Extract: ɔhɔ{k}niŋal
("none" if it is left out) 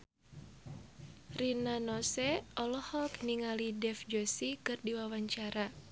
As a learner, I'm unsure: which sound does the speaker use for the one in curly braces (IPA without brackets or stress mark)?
k